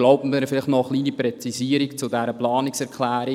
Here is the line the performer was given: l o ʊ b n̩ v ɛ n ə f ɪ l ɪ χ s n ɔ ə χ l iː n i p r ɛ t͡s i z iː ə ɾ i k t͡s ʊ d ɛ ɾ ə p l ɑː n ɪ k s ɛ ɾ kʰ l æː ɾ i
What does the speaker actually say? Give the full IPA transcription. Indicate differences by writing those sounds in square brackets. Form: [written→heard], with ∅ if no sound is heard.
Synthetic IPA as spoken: l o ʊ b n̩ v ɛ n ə f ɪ l ɪ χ [s→t] n ɔ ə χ l iː n i p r ɛ t͡s i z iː ə ɾ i k t͡s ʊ d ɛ ɾ ə p l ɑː n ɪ k s ɛ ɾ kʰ l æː ɾ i